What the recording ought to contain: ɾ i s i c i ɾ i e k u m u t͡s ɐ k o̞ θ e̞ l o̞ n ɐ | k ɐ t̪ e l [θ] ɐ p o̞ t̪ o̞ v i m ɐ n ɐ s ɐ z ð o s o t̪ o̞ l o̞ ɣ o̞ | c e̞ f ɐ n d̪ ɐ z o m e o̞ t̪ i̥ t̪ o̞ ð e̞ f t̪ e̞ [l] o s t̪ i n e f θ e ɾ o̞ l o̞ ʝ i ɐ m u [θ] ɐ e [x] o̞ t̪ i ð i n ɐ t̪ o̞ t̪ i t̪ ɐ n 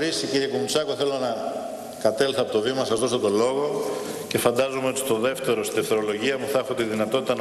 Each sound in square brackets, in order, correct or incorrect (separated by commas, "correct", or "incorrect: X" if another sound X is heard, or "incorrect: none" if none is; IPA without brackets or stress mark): correct, incorrect: ɾ, correct, correct